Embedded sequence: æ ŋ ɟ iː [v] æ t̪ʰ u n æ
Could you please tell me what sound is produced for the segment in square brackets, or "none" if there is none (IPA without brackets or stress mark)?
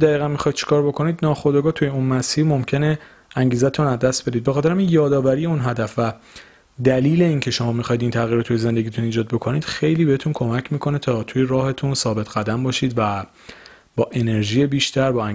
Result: z